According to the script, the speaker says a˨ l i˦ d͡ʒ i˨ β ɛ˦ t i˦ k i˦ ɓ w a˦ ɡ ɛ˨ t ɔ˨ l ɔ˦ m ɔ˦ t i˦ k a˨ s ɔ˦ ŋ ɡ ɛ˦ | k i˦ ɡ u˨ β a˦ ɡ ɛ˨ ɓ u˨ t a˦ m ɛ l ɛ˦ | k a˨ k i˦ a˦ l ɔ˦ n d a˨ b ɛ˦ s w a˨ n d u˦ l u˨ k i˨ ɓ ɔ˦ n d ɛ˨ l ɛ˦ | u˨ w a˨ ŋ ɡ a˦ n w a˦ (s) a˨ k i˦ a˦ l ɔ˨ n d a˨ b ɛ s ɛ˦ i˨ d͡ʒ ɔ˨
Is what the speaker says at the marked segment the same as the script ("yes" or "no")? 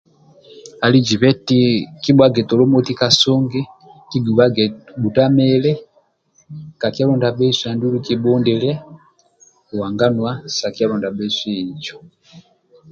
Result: yes